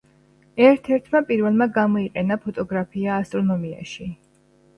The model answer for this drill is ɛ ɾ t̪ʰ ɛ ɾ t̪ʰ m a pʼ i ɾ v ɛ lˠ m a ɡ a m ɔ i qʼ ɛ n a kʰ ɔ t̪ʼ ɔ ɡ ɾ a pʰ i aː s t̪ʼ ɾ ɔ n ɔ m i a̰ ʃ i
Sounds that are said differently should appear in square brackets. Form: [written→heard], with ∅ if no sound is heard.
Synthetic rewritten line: ɛ ɾ t̪ʰ ɛ ɾ t̪ʰ m a pʼ i ɾ v ɛ lˠ m a ɡ a m ɔ i qʼ ɛ n a [kʰ→pʰ] ɔ t̪ʼ ɔ ɡ ɾ a pʰ i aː s t̪ʼ ɾ ɔ n ɔ m i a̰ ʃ i